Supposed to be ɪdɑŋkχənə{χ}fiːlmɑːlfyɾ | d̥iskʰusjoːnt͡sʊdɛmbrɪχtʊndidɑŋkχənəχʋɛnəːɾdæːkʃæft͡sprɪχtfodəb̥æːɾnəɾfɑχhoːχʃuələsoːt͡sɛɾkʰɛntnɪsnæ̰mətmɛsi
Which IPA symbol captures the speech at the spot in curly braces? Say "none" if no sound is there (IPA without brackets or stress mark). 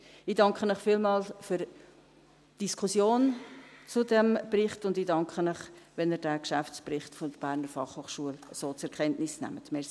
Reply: χ